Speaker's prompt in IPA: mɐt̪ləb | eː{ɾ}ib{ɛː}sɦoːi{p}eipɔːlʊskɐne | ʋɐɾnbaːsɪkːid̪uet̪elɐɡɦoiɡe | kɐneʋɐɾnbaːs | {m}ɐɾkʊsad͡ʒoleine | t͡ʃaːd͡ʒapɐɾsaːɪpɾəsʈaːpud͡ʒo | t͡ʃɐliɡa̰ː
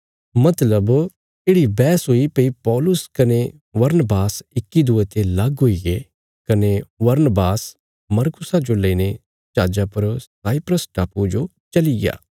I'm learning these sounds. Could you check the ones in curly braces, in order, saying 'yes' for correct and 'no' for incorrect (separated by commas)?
no, yes, yes, yes